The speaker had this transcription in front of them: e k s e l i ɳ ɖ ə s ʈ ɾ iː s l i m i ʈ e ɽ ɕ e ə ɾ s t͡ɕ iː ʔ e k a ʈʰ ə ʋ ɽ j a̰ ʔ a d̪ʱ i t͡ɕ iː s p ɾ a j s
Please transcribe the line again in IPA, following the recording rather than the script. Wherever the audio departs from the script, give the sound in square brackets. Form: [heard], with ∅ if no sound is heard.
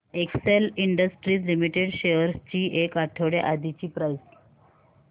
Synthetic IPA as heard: e k s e l i ɳ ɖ ə s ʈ ɾ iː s l i m i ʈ e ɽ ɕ e ə ɾ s t͡ɕ iː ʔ e k a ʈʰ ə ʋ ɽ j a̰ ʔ a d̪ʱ i t͡ɕ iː [∅] p ɾ a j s